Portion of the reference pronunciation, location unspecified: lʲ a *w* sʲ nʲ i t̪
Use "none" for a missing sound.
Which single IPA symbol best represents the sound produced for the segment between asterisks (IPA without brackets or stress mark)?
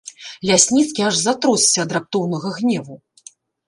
none